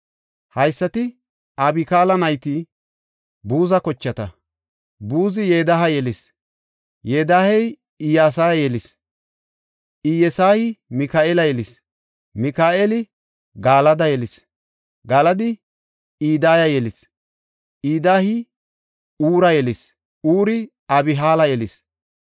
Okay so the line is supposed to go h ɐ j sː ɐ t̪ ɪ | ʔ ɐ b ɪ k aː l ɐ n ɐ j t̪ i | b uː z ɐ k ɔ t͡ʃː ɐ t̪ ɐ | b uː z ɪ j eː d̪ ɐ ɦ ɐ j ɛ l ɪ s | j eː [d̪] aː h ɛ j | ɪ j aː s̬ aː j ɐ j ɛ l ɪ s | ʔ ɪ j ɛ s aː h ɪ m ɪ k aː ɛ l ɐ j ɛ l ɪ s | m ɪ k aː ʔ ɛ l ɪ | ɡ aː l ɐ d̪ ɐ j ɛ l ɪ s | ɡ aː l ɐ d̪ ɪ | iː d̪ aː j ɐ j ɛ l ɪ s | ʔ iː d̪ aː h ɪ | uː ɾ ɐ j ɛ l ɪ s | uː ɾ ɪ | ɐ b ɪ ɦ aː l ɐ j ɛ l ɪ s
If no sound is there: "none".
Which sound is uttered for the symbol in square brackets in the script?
d̪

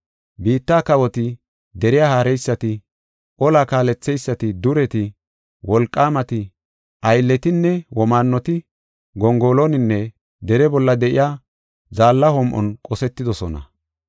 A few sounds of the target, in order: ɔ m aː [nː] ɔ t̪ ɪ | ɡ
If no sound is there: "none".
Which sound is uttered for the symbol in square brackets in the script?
nː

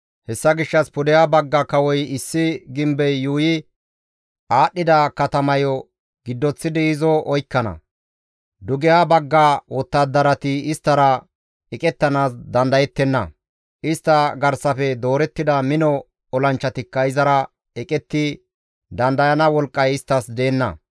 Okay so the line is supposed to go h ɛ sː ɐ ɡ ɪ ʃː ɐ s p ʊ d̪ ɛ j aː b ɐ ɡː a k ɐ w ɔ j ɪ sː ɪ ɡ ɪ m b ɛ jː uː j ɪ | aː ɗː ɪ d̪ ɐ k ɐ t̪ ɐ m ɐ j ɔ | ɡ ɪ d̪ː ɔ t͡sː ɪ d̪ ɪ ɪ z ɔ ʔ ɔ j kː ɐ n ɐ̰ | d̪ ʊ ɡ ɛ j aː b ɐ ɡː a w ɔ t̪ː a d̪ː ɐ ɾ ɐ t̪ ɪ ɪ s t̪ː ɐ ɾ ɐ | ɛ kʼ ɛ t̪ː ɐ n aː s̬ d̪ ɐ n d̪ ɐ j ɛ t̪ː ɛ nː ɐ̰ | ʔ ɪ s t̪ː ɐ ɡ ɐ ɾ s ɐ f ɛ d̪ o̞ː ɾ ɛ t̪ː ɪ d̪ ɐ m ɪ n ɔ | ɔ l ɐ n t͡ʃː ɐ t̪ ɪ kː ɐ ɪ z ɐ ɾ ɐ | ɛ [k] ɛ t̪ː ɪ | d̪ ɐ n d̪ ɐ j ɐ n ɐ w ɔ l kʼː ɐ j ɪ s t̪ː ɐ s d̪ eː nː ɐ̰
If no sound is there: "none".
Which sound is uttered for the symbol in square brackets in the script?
kʼ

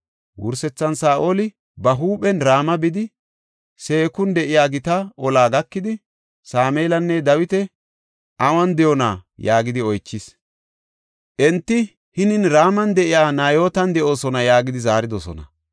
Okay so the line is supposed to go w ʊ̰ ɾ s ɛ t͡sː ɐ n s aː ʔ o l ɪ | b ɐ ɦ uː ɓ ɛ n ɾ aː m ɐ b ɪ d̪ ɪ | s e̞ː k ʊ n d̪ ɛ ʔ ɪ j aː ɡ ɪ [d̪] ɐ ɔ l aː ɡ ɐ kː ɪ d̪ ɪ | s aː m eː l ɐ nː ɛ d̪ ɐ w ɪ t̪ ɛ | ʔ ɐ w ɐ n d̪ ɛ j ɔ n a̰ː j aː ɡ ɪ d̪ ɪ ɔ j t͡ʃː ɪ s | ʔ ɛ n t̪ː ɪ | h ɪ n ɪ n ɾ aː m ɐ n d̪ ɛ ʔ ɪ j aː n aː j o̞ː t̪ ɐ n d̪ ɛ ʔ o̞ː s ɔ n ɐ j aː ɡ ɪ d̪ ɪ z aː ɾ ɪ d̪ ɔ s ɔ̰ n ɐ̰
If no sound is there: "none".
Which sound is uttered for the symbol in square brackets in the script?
t̪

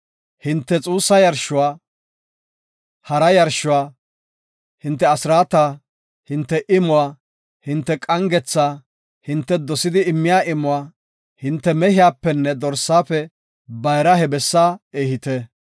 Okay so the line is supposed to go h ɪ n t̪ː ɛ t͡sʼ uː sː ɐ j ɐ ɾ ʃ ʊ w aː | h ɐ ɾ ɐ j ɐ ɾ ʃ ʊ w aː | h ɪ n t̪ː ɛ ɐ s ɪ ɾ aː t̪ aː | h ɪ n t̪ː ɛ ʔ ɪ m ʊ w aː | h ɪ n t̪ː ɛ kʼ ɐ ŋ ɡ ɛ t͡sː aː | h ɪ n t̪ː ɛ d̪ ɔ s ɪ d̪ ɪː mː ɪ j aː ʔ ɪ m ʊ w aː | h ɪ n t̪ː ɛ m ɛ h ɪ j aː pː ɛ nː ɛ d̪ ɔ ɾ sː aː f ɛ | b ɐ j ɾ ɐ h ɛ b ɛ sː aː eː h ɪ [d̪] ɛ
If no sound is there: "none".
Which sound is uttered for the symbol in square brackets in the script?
t̪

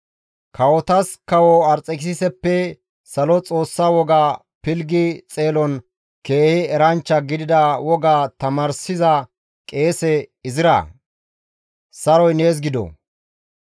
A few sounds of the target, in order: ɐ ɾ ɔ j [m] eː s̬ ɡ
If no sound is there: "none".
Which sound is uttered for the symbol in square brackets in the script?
n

